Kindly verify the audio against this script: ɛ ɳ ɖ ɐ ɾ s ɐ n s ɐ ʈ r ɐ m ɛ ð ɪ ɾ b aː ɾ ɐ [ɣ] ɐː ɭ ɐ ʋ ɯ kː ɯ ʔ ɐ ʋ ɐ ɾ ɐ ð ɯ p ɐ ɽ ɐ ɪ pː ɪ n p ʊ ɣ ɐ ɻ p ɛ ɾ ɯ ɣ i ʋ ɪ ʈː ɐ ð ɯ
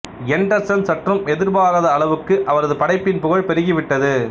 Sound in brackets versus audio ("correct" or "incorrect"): incorrect